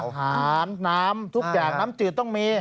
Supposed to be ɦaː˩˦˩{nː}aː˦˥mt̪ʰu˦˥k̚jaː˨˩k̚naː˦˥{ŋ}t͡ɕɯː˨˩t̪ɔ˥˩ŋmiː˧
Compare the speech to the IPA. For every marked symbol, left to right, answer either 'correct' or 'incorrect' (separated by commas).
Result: correct, incorrect